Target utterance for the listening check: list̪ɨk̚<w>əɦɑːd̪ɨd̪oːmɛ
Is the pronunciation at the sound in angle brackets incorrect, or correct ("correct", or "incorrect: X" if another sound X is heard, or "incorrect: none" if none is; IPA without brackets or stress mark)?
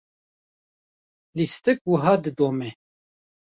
correct